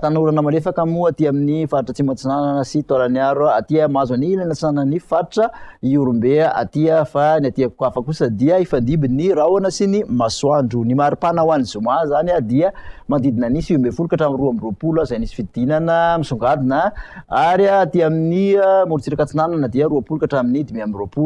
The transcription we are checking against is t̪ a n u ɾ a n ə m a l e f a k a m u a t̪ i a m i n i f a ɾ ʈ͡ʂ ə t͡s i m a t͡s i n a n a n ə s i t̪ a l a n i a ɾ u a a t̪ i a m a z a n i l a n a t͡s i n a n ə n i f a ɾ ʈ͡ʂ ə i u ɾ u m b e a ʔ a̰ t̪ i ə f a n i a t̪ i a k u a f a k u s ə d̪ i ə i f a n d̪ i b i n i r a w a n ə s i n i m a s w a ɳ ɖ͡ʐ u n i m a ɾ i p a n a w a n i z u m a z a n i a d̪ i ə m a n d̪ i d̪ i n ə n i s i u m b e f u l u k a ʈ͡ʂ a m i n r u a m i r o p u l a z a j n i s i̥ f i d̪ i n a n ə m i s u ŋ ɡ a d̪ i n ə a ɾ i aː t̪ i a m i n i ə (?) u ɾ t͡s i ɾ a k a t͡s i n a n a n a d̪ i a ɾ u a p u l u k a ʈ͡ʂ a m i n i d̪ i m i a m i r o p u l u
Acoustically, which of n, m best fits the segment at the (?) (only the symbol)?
m